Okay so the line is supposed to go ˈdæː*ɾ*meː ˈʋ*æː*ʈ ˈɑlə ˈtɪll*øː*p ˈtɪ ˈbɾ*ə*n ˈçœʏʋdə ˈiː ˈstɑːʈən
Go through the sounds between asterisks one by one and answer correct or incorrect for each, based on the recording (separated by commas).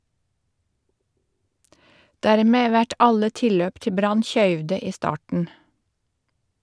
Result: correct, incorrect, correct, incorrect